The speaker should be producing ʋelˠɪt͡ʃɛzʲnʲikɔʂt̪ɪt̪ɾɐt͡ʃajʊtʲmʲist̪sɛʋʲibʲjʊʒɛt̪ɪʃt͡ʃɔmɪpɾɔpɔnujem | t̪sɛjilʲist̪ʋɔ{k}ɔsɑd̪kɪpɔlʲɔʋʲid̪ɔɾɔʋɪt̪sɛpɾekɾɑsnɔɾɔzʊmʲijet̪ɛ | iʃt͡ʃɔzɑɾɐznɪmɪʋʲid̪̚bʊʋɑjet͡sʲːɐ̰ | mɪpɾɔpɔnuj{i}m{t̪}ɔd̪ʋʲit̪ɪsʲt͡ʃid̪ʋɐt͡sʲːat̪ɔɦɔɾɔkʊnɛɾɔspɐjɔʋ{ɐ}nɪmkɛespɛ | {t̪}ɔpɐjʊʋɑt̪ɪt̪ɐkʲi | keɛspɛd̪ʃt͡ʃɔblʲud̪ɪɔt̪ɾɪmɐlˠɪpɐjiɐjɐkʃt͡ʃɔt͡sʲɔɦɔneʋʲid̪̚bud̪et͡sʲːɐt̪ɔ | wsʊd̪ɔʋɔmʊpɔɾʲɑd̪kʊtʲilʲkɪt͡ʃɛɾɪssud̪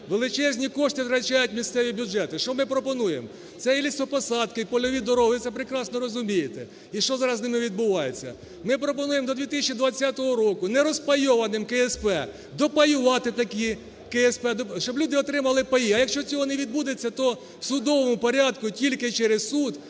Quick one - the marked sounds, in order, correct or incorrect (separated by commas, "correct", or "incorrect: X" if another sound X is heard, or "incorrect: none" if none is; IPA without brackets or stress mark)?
incorrect: p, incorrect: e, incorrect: d̪, correct, incorrect: d̪